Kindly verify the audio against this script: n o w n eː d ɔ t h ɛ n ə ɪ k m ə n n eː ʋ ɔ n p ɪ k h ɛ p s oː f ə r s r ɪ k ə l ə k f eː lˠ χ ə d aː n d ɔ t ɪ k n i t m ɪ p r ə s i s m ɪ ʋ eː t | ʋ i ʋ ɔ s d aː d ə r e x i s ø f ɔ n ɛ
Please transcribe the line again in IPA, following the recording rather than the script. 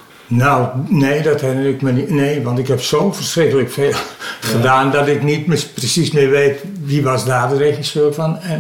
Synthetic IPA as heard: n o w n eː d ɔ t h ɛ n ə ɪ k m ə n n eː ʋ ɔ n t ɪ k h ɛ p s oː f ə r s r ɪ k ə l ə k f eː lˠ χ ə d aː n d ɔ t ɪ k n i t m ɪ p r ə s i s m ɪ ʋ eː t | ʋ i ʋ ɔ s d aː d ə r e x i s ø f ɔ n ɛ